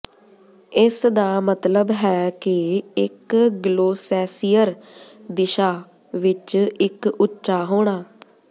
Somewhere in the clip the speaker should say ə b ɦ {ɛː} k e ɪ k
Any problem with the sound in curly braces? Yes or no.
no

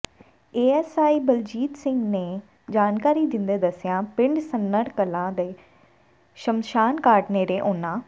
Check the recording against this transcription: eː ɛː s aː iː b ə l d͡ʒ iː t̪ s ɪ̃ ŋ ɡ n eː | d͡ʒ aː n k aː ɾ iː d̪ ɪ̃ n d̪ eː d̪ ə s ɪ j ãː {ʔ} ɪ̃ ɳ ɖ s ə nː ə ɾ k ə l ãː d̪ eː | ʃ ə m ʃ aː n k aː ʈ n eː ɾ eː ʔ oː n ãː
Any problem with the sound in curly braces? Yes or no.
yes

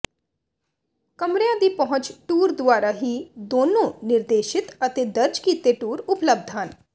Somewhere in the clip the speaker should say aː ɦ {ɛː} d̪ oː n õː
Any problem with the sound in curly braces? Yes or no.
yes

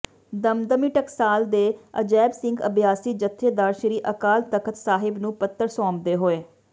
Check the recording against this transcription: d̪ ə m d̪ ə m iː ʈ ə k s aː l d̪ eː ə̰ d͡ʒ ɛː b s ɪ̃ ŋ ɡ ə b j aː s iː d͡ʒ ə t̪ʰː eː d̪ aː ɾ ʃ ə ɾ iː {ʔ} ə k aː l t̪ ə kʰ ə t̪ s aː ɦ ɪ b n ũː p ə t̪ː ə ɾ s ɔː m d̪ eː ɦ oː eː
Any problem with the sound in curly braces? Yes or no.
no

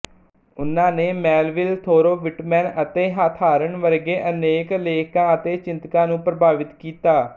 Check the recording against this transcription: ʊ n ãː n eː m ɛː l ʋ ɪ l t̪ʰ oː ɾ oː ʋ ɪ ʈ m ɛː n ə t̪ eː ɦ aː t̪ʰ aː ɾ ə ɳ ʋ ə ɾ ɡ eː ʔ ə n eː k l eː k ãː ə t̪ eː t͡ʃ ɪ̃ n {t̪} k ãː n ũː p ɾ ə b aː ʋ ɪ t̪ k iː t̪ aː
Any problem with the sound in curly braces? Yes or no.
no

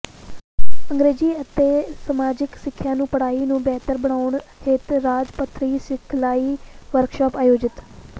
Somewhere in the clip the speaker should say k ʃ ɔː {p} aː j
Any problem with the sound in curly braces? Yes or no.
no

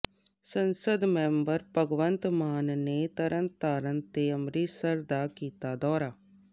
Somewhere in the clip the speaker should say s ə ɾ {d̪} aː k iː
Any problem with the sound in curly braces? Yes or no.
no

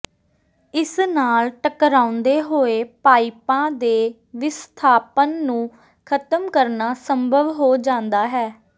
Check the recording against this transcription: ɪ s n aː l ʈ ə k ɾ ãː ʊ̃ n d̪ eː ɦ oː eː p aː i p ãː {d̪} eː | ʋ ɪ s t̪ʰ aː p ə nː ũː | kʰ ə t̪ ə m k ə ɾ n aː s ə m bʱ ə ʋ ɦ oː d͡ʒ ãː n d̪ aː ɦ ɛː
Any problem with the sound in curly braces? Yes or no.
no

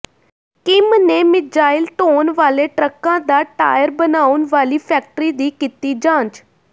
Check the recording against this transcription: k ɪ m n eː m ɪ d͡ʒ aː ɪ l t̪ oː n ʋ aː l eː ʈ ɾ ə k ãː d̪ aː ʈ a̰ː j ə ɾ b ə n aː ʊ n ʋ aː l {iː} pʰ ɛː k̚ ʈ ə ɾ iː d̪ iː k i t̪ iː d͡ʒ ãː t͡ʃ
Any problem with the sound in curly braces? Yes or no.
no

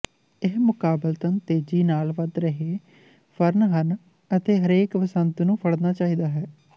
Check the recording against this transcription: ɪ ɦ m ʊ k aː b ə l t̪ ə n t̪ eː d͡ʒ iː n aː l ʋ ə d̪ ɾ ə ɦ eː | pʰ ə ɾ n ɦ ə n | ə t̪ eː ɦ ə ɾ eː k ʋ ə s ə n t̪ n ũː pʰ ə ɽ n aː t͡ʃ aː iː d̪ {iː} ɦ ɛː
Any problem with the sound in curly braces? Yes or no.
yes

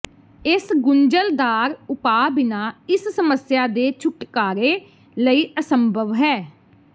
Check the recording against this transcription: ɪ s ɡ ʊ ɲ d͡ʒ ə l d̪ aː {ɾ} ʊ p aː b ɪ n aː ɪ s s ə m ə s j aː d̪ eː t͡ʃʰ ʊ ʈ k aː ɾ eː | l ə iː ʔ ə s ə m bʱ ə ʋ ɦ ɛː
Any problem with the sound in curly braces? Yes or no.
no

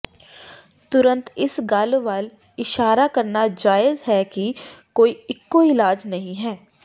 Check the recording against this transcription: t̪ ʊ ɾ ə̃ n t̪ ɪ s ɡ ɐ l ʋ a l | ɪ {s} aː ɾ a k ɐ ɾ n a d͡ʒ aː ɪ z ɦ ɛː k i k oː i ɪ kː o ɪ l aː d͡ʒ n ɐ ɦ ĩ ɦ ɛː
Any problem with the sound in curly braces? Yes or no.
yes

